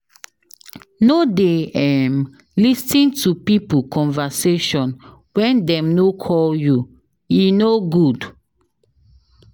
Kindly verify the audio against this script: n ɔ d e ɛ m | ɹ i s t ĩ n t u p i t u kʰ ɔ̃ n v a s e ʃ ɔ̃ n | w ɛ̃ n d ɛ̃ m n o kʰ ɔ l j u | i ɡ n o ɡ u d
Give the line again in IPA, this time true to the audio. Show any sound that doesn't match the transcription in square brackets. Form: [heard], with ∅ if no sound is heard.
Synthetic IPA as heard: n [o] d e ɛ m | [l] i s t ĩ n t u p i [p] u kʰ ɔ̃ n v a s e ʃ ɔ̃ n | w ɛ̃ n d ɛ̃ m n o kʰ ɔ l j u | i [∅] n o ɡ u d